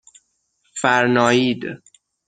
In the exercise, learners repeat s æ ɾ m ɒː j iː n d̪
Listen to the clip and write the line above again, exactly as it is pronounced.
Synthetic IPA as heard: f æ ɾ n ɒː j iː d̪